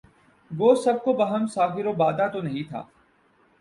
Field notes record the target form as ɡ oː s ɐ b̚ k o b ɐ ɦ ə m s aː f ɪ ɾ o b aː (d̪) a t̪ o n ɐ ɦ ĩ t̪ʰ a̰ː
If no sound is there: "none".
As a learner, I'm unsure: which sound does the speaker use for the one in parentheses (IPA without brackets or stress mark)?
d̪